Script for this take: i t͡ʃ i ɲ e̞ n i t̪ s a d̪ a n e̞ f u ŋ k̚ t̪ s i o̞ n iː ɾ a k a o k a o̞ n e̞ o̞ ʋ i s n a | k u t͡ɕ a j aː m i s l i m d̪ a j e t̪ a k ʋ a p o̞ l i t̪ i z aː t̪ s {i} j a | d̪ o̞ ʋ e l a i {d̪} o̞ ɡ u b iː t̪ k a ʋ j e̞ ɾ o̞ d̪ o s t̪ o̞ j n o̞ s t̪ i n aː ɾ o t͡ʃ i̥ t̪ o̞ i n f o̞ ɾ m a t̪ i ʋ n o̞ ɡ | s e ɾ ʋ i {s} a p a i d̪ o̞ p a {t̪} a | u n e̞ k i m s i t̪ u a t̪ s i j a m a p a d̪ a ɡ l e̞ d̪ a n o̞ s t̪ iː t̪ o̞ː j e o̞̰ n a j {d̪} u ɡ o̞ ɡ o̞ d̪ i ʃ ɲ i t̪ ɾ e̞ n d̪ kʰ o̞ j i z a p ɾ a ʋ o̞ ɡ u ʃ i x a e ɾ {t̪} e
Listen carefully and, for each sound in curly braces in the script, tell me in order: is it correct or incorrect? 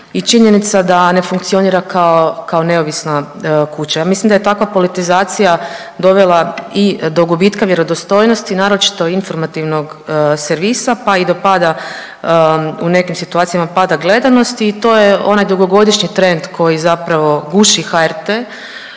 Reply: correct, correct, correct, incorrect: d̪, correct, correct

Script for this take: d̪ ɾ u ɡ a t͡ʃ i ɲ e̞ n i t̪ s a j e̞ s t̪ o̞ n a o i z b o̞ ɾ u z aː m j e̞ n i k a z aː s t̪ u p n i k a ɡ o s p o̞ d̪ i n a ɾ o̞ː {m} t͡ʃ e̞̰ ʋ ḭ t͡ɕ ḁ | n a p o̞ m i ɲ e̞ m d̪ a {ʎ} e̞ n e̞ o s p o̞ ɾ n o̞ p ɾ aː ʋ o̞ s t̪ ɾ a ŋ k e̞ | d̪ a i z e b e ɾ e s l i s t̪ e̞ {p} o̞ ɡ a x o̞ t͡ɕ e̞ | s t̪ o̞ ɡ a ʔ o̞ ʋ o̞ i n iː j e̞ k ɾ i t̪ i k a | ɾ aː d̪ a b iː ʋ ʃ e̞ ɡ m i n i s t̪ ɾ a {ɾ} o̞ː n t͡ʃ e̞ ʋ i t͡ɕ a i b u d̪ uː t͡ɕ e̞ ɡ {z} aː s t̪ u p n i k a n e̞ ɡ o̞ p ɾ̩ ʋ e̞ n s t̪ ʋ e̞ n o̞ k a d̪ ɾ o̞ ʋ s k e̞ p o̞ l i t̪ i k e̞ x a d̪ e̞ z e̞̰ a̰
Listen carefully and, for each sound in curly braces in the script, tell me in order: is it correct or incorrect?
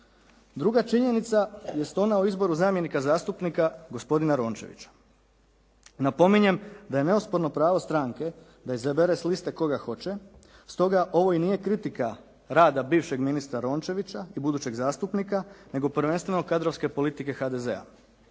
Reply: incorrect: n, incorrect: j, incorrect: k, correct, correct

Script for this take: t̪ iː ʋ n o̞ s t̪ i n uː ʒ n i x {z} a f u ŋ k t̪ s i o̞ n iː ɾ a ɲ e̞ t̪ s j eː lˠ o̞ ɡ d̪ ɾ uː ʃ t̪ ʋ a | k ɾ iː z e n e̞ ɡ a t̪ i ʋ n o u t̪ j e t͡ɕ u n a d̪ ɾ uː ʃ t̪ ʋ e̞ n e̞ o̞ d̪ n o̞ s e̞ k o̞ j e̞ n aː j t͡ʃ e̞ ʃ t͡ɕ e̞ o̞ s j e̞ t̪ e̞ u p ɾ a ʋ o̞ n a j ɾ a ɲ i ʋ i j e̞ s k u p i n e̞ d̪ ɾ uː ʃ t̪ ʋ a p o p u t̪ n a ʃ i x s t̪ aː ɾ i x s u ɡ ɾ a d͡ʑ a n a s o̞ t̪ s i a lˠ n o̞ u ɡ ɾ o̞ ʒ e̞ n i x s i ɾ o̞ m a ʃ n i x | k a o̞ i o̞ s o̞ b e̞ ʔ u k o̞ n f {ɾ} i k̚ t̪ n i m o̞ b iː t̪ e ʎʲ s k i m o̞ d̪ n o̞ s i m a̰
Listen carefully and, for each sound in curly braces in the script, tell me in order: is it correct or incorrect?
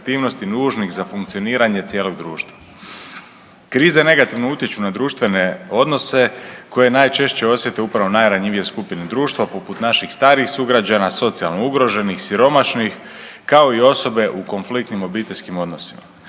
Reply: correct, incorrect: l

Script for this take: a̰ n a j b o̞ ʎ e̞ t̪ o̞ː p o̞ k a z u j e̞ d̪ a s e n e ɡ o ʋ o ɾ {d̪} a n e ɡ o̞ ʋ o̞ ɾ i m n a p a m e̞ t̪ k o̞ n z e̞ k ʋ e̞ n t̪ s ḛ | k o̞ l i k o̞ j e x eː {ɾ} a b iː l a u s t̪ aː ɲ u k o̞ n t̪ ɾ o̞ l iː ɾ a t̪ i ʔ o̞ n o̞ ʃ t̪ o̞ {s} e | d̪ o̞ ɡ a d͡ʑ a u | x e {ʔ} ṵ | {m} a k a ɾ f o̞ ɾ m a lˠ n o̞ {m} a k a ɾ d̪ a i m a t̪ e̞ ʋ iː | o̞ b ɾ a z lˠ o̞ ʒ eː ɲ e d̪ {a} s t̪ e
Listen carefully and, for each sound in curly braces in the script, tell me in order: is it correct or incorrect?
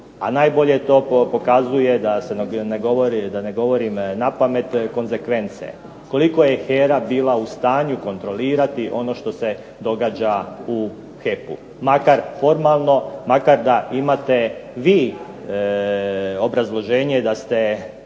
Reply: correct, correct, correct, incorrect: p, correct, correct, correct

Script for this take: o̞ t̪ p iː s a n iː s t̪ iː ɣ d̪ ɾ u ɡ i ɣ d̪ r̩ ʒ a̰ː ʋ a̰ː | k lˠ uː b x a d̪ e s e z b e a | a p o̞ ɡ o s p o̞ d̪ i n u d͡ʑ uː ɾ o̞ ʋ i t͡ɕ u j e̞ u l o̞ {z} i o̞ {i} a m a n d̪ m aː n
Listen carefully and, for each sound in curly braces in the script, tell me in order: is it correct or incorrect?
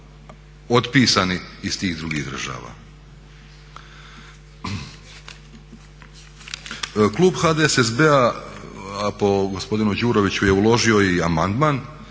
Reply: incorrect: ʒ, correct

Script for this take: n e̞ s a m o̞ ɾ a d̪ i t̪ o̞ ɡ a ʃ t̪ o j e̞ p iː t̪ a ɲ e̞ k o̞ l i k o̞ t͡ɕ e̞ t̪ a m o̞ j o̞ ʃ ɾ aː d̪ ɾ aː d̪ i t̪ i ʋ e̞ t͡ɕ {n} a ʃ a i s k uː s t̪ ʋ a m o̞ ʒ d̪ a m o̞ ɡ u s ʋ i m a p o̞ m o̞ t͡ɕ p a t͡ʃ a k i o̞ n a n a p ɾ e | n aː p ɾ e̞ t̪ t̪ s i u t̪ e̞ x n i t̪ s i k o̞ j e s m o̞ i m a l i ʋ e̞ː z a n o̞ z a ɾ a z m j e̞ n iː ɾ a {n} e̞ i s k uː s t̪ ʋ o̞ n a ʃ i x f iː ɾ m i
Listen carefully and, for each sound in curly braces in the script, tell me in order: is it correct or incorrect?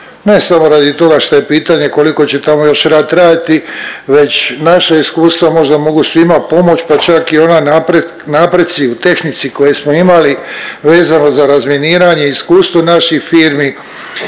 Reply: correct, incorrect: ɲ

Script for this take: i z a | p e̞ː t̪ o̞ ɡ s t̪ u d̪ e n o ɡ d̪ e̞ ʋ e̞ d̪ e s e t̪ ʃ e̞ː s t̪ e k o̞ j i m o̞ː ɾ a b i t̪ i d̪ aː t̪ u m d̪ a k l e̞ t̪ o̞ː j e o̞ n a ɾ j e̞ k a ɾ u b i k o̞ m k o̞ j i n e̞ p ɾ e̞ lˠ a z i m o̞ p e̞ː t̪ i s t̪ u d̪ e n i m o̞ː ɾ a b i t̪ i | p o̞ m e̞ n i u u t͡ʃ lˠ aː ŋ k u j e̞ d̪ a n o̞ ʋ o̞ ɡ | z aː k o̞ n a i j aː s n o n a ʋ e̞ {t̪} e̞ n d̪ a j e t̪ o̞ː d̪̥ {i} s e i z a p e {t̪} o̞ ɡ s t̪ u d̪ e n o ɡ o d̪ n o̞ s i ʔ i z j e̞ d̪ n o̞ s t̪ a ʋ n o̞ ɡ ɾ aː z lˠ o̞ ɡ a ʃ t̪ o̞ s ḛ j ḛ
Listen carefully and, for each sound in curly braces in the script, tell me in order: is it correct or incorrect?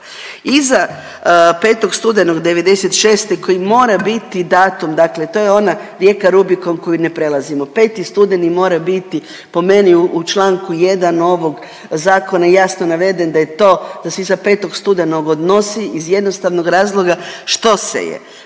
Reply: incorrect: d̪, incorrect: a, correct

